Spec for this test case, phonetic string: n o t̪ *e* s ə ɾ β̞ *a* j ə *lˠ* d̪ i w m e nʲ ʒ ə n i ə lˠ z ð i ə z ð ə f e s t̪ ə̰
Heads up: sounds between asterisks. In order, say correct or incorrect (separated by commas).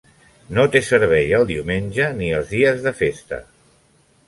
correct, incorrect, correct